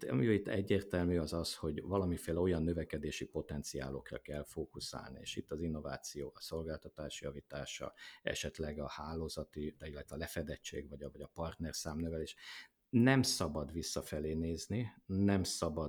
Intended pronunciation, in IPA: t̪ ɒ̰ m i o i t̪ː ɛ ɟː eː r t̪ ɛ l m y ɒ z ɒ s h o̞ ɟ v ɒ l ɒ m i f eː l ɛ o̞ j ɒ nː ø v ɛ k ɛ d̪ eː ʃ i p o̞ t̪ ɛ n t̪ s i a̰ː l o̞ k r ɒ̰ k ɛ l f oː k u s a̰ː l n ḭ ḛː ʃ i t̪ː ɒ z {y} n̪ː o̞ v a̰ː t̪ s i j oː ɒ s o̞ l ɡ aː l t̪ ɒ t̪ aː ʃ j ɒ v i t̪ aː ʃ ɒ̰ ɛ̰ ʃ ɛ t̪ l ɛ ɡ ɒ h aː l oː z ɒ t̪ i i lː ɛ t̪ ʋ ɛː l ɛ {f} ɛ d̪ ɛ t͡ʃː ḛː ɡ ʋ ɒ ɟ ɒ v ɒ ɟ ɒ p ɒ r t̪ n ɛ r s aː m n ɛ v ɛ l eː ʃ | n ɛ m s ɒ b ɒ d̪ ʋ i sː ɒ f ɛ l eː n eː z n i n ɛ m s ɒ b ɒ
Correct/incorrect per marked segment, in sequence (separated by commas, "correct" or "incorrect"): incorrect, correct